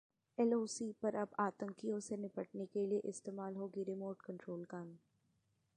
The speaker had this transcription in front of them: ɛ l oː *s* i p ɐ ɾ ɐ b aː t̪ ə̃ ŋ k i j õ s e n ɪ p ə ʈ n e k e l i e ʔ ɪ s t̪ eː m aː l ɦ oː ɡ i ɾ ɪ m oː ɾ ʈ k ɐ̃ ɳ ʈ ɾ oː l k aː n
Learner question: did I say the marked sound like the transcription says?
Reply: yes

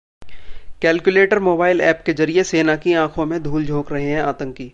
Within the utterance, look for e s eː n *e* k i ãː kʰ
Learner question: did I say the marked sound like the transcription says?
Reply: no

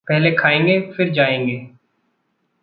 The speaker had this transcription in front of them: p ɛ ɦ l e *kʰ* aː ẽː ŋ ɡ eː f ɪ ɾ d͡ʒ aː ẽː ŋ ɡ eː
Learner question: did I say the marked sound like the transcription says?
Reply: yes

